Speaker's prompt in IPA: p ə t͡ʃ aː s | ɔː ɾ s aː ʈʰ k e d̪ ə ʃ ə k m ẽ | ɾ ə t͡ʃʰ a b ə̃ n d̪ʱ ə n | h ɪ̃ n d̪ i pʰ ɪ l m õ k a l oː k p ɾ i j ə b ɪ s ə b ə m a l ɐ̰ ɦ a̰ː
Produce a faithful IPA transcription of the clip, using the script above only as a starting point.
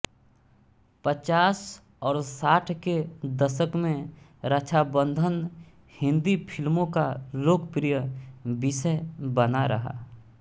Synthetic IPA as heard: p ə t͡ʃ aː s | ɔː ɾ s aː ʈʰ k e d̪ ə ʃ ə k m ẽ | ɾ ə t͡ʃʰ a b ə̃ n d̪ʱ ə n | h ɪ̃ n d̪ i pʰ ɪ l m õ k a l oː k p ɾ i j ə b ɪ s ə b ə n a ɾ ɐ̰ ɦ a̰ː